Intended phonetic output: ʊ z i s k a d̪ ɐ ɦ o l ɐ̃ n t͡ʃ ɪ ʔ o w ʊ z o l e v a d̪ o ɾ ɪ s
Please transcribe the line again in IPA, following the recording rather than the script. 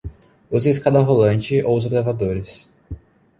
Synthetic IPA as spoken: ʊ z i s k a d̪ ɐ ɦ o l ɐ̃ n t͡ʃ ɪ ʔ o w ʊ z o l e v a d̪ o ɾ ɪ s